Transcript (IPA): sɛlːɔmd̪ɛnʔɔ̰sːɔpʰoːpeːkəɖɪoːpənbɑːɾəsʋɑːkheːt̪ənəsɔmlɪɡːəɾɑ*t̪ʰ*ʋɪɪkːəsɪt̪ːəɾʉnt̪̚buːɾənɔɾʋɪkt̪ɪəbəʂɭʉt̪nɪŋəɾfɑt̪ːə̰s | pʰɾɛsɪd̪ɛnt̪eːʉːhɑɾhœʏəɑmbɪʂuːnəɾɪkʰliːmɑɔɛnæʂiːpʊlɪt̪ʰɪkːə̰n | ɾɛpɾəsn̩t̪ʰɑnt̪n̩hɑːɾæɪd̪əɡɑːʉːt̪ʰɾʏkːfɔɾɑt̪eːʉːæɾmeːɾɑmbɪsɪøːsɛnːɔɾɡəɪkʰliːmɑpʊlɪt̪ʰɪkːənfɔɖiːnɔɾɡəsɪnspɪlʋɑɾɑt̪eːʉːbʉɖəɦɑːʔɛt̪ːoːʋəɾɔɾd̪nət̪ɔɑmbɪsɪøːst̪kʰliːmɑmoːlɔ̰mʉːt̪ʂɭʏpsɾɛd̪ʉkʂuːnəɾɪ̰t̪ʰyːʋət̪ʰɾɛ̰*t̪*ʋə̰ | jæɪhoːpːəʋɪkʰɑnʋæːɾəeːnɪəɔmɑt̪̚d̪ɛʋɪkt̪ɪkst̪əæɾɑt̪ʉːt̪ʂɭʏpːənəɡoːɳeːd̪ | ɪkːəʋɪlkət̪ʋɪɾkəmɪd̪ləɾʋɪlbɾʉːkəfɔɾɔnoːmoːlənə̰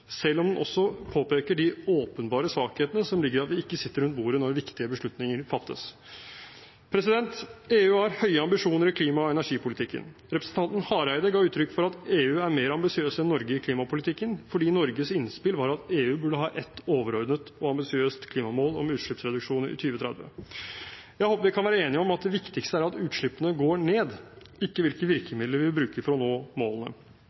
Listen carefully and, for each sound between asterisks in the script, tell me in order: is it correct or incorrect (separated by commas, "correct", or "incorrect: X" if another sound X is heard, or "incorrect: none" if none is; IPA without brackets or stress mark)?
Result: incorrect: t̪, incorrect: d̪